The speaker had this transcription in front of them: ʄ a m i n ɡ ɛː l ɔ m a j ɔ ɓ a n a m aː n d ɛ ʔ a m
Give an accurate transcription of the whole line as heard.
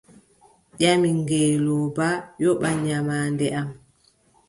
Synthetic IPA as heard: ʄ a m i ŋ ɡ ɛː l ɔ b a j ɔ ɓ a ɲ a m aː n d ɛ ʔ a m